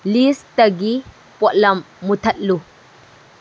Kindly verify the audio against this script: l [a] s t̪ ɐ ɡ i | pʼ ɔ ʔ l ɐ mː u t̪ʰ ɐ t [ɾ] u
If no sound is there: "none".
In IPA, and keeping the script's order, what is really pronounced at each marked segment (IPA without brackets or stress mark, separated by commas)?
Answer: i, l